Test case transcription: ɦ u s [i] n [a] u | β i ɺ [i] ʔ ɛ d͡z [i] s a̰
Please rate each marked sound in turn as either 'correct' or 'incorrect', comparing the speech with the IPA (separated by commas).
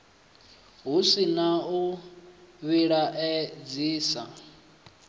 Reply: correct, correct, incorrect, incorrect